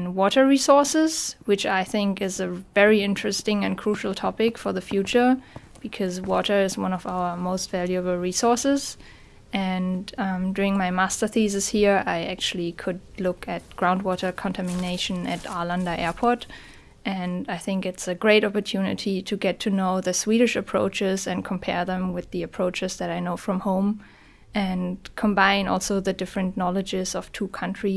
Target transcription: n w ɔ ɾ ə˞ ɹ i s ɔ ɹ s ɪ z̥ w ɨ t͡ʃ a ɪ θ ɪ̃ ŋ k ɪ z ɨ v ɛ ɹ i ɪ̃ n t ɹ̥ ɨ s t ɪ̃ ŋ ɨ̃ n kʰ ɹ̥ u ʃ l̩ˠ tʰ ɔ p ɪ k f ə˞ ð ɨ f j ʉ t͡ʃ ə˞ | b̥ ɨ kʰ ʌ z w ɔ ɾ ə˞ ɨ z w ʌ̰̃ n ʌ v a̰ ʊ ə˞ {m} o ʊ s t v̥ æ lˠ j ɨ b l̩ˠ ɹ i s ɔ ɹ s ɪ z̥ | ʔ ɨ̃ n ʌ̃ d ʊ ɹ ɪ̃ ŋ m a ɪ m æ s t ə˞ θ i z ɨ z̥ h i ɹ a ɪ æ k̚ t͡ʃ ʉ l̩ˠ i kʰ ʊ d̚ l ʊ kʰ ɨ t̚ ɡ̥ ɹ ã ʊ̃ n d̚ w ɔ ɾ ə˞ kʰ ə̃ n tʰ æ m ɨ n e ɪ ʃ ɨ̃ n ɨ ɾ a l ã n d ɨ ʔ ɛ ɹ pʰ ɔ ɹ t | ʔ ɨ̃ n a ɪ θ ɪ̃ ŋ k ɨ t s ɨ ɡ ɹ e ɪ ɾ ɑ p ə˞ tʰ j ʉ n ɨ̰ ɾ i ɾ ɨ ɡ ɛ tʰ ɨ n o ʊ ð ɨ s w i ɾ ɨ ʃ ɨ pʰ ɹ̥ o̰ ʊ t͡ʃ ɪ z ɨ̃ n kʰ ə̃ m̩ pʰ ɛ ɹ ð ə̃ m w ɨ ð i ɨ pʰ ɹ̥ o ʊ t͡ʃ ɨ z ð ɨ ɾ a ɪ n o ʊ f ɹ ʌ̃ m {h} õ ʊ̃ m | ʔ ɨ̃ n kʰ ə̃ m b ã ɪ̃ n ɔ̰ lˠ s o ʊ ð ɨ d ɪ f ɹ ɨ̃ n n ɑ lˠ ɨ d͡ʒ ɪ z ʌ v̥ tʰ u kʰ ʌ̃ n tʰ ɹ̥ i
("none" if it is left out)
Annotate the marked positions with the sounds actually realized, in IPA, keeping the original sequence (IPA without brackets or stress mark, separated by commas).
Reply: m, h